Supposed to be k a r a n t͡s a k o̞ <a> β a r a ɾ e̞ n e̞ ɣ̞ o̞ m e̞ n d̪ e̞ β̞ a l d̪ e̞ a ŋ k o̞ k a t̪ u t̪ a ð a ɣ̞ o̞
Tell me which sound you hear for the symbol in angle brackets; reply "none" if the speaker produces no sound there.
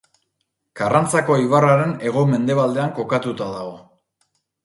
i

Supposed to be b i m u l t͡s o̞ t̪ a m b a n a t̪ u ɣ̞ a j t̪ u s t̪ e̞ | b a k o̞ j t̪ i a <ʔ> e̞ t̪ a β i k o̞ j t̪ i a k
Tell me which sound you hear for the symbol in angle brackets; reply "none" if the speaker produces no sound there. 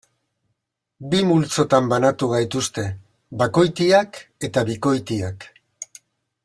k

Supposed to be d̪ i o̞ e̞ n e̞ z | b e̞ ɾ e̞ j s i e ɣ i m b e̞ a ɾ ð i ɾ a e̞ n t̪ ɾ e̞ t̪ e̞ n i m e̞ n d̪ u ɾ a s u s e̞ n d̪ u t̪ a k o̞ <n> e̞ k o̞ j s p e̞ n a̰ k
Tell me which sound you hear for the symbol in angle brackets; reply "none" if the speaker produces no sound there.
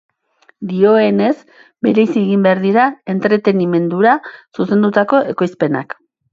none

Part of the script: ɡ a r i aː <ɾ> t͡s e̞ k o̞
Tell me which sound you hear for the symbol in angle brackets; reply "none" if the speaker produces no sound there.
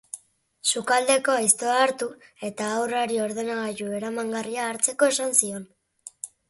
ɾ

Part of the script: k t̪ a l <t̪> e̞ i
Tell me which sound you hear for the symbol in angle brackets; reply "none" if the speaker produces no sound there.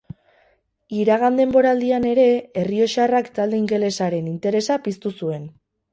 d̪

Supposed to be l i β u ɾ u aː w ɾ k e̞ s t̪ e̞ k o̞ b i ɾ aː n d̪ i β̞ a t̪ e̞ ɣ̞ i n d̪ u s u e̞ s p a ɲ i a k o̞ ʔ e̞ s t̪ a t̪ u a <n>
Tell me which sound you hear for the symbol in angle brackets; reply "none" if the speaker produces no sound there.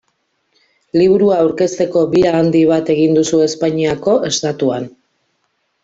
n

